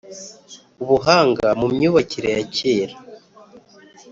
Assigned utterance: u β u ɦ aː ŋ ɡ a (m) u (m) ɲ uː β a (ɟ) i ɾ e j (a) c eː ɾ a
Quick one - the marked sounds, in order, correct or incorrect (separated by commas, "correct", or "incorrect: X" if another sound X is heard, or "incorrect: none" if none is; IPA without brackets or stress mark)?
correct, correct, incorrect: c, correct